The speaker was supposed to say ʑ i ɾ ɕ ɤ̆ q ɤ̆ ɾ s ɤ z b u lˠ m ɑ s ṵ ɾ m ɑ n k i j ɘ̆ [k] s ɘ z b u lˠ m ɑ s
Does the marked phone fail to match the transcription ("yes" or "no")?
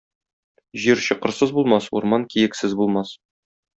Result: no